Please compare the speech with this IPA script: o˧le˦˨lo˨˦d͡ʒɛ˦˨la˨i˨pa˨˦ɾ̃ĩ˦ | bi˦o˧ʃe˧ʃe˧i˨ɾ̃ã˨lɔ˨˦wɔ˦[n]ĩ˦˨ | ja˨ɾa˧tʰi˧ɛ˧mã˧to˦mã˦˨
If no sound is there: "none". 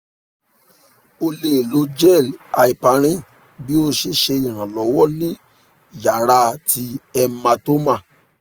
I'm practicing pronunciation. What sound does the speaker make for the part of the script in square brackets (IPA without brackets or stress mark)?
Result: n